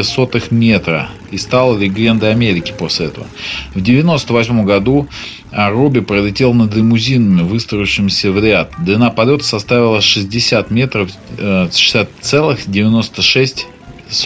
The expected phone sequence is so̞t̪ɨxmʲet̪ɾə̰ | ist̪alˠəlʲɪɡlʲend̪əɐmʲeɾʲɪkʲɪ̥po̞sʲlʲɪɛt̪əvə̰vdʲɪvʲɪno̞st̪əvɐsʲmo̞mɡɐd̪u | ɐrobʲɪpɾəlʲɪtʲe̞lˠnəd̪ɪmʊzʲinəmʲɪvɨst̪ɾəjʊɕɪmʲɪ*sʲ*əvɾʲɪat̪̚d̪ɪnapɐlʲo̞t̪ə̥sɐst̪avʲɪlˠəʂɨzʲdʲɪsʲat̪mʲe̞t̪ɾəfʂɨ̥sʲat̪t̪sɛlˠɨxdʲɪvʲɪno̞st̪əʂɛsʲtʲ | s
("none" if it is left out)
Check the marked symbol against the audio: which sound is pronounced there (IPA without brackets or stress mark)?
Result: sʲ